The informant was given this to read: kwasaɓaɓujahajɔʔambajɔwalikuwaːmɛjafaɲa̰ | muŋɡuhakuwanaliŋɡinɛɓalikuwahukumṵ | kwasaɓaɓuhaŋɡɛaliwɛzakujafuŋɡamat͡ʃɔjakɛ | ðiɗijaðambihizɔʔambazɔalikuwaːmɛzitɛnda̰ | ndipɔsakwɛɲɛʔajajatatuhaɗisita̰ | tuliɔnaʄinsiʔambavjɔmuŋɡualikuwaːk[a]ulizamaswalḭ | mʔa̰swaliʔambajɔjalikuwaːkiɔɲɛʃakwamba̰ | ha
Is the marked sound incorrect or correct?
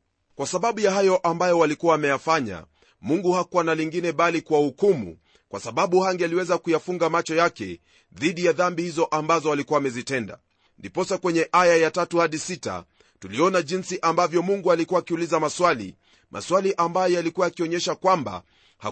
incorrect